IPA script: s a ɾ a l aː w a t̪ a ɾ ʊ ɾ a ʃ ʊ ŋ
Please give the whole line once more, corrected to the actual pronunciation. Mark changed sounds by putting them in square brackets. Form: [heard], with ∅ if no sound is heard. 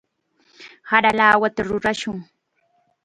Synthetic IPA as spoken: [h] a ɾ a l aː w a t̪ a ɾ ʊ ɾ a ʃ ʊ ŋ